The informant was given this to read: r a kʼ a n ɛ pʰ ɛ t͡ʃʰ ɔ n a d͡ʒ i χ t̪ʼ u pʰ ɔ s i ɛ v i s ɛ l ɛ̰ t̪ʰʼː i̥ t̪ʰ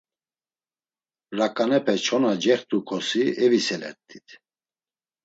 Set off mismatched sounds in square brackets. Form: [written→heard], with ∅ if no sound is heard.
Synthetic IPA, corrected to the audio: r a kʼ a n ɛ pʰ ɛ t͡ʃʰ ɔ n a d͡ʒ [i→ɛ] χ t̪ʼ u [pʰ→kʰ] ɔ s i ɛ v i s ɛ l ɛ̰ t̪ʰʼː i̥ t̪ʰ